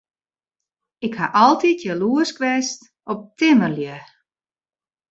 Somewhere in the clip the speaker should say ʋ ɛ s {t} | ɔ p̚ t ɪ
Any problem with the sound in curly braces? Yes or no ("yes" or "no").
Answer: no